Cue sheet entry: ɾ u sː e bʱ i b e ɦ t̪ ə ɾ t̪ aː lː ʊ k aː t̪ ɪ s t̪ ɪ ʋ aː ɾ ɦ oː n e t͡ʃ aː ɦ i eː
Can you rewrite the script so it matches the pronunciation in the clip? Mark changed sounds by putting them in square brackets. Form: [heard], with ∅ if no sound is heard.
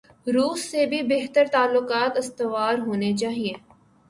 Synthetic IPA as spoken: ɾ [uː] sː e bʱ i b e ɦ t̪ ə ɾ t̪ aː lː ʊ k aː t̪ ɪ s t̪ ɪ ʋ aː ɾ ɦ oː n e t͡ʃ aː ɦ i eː